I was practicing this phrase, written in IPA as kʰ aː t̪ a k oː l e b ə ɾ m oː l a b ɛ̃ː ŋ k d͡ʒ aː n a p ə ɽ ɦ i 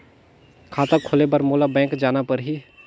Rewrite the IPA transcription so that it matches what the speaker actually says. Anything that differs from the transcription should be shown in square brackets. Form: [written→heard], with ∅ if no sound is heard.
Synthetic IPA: kʰ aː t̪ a [k→kʰ] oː l e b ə ɾ m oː l a b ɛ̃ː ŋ k d͡ʒ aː n a p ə [ɽ→ɾ] ɦ i

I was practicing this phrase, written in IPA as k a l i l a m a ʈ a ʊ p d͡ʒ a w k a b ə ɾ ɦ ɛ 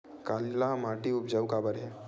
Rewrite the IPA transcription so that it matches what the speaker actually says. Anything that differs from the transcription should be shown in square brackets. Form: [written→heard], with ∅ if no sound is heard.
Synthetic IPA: k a l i l a m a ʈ [a→i] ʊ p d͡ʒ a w k a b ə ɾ ɦ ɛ

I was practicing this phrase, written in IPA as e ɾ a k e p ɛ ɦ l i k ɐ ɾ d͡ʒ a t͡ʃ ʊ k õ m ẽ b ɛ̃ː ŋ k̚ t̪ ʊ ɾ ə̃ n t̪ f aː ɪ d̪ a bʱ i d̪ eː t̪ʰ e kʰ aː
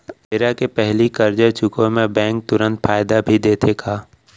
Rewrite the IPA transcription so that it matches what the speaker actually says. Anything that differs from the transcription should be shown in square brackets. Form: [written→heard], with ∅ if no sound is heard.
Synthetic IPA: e ɾ a k e p ɛ ɦ l i k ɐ ɾ d͡ʒ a t͡ʃ ʊ k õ m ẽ b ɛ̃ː ŋ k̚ t̪ ʊ ɾ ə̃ n t̪ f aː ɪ d̪ a bʱ i d̪ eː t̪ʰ e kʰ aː

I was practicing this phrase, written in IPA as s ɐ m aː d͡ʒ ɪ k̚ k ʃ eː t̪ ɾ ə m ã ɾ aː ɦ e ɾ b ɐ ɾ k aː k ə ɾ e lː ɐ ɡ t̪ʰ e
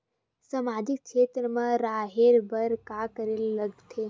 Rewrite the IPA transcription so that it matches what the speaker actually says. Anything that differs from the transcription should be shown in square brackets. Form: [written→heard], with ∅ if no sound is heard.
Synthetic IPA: s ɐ m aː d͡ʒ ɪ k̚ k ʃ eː t̪ ɾ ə m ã ɾ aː ɦ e ɾ b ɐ ɾ k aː k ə ɾ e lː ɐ ɡ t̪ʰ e

